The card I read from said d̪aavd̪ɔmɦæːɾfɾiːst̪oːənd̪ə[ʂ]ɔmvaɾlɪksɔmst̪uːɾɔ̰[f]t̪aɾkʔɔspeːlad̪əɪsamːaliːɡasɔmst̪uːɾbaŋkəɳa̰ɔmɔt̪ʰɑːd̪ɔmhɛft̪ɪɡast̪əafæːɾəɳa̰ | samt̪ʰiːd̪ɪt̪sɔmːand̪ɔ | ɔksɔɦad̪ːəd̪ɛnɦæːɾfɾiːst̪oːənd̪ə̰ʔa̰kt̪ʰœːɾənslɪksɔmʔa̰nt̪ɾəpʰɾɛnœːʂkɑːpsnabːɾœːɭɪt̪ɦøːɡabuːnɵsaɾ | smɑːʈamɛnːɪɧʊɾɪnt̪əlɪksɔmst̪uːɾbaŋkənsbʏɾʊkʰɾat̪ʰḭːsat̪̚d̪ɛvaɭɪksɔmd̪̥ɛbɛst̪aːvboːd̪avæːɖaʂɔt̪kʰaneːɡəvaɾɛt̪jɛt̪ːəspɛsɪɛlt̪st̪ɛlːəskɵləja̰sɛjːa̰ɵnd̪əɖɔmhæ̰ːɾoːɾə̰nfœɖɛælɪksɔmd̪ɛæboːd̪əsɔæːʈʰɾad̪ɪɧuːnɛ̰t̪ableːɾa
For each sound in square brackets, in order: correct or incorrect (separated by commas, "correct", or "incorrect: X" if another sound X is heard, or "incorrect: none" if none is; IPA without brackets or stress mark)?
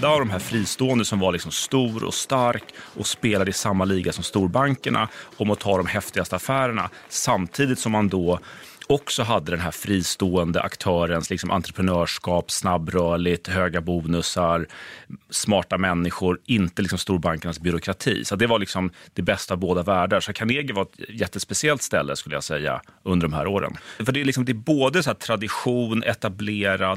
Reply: incorrect: s, incorrect: s